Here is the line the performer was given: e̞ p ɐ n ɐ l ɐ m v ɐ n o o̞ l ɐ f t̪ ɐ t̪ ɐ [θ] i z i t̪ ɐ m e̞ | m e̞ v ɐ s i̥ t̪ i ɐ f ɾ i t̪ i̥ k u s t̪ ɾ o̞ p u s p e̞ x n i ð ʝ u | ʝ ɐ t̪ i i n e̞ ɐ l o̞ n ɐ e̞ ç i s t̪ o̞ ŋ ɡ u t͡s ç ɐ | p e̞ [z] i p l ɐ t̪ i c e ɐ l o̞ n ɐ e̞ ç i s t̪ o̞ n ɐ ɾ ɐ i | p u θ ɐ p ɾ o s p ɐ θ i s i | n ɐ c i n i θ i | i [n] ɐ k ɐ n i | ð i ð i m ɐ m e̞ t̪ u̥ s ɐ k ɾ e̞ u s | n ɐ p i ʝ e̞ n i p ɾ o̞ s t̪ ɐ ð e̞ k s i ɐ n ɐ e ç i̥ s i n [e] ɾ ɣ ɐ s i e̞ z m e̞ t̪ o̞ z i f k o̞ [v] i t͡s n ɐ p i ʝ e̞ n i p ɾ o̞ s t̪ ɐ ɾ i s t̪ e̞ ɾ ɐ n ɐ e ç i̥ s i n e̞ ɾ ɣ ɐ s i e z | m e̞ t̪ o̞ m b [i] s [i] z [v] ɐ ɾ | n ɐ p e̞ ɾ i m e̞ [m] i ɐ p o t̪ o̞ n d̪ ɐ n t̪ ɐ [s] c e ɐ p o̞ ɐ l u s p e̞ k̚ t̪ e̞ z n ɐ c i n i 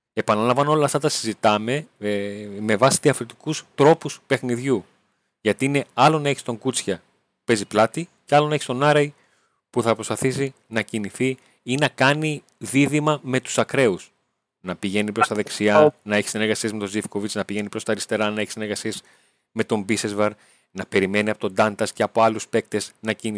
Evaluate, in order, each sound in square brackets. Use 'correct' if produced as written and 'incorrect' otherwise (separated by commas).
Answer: incorrect, correct, correct, correct, correct, correct, incorrect, correct, incorrect, correct